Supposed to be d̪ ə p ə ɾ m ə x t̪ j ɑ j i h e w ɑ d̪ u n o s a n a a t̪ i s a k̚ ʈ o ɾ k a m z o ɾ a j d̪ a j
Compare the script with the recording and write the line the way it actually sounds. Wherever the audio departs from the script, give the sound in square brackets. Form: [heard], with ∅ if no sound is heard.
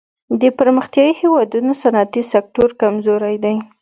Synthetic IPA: d̪ ə p ə ɾ m ə x t̪ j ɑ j i h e w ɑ d̪ u n o s a n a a t̪ i s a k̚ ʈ o ɾ k a m z o ɾ a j d̪ a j